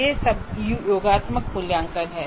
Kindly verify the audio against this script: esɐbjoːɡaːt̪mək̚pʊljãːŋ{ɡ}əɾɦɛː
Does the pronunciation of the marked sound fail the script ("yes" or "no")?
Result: yes